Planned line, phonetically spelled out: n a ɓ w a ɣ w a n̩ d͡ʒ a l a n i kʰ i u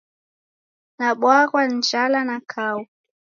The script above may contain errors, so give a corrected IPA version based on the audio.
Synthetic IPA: n a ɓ w a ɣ w a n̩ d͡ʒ a l a n a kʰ a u